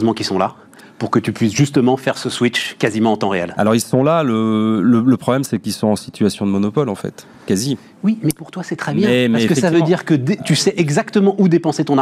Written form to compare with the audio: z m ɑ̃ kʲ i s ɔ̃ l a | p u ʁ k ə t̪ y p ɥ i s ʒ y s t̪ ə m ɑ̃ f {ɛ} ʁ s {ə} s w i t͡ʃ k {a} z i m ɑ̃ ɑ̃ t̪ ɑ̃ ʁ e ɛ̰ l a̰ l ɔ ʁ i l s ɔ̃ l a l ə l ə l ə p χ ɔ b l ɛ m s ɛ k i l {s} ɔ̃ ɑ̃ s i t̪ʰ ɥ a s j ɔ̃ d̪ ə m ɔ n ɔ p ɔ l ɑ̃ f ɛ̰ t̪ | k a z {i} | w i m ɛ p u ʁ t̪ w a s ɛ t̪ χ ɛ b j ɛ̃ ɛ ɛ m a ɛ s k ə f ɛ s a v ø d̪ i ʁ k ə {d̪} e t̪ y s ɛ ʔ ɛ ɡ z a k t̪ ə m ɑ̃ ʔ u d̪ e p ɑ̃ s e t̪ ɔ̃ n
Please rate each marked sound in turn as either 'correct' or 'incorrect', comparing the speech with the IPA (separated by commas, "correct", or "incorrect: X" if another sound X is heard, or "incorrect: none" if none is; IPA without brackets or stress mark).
correct, correct, correct, correct, correct, correct